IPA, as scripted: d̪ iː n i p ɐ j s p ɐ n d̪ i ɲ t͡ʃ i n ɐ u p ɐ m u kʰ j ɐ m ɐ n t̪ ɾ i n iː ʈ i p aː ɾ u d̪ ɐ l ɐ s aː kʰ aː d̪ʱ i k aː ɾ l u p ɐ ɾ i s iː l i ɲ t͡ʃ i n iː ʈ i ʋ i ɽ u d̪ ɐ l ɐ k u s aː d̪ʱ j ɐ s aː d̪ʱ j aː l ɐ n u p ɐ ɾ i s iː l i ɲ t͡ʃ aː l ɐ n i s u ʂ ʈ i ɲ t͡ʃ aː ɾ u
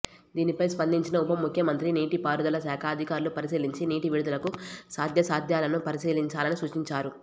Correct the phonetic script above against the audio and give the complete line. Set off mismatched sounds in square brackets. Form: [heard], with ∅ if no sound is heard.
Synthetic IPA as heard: d̪ iː n i p ɐ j s p ɐ n d̪ i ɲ t͡ʃ i n ɐ u p ɐ m u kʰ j ɐ m ɐ n t̪ ɾ i n iː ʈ i p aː ɾ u d̪ ɐ l ɐ s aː kʰ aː d̪ʱ i k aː ɾ l u p ɐ ɾ i s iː l i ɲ t͡ʃ i n iː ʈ i ʋ i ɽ u d̪ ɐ l ɐ k u s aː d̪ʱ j ɐ s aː d̪ʱ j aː l ɐ n u p ɐ ɾ i s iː l i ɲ t͡ʃ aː l ɐ n i s u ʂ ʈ i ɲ t͡ʃ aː ɾ u